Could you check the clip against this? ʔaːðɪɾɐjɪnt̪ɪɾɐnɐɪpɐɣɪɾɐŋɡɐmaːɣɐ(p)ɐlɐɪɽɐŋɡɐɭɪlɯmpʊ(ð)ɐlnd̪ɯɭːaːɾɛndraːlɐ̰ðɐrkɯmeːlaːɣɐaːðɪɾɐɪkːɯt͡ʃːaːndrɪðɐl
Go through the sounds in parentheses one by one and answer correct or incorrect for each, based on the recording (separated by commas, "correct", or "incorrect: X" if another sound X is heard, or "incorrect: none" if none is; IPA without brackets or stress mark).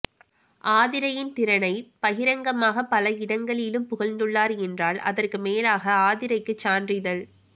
correct, incorrect: ɣ